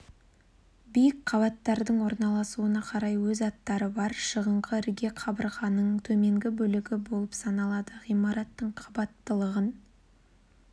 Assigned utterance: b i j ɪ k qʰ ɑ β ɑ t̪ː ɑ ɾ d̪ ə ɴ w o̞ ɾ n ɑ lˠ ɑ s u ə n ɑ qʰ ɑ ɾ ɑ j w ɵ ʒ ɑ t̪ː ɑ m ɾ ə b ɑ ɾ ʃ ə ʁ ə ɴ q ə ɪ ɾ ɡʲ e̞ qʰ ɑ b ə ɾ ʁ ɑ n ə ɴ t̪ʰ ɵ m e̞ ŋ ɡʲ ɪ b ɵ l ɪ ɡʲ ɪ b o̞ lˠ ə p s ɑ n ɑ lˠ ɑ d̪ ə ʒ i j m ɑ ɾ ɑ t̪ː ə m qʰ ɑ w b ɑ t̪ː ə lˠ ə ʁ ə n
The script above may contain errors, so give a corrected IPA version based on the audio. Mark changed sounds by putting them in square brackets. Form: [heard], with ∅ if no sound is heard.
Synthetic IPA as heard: b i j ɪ k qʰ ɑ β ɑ t̪ː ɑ ɾ d̪ ə ɴ w o̞ ɾ n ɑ lˠ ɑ s u ə n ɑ qʰ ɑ ɾ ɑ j w ɵ [z] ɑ t̪ː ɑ [∅] ɾ ə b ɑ ɾ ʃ ə ʁ ə ɴ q ə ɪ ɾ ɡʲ e̞ qʰ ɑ b ə ɾ ʁ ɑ n ə ɴ t̪ʰ ɵ m e̞ ŋ ɡʲ ɪ b ɵ l ɪ ɡʲ ɪ b o̞ lˠ ə p s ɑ n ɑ lˠ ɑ d̪ ə [ʁ] i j m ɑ ɾ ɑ t̪ː ə [ɴ] qʰ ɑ [∅] b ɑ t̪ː ə lˠ ə ʁ ə n